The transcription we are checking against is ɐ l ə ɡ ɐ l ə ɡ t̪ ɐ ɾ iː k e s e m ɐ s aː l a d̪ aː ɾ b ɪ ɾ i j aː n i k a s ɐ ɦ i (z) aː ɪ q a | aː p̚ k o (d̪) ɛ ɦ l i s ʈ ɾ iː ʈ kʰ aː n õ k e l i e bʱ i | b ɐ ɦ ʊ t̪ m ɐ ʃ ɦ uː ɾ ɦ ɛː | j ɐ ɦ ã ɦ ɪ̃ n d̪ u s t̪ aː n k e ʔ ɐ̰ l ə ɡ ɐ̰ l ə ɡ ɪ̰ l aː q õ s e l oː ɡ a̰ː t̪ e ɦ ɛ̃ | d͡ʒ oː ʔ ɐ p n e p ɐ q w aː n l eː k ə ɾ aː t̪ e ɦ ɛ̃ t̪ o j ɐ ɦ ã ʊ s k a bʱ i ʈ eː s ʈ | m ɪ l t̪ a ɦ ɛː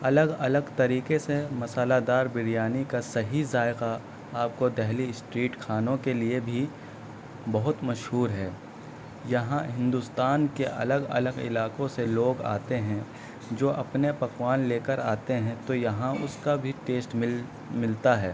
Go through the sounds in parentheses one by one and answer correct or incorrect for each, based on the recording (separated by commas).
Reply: correct, correct